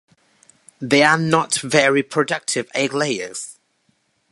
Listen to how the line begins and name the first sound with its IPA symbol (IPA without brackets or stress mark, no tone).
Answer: ð